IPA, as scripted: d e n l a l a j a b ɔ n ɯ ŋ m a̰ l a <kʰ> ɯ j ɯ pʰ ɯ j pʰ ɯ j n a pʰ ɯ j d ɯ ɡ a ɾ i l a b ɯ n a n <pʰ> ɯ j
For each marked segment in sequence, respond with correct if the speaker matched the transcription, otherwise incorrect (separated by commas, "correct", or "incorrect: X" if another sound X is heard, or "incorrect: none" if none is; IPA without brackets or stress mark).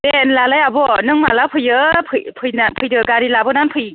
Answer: incorrect: pʰ, correct